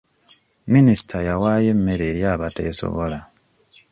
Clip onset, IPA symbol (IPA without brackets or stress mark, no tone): m